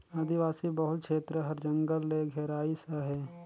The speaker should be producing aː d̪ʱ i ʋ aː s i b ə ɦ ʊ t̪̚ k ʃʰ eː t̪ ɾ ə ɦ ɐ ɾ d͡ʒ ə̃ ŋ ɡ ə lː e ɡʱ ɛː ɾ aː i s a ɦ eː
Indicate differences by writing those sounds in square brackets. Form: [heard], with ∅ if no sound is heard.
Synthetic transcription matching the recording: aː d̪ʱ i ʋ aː s i b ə ɦ ʊ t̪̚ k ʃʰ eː t̪ ɾ ə ɦ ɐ ɾ d͡ʒ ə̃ ŋ ɡ ə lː e ɡʱ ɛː ɾ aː i s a ɦ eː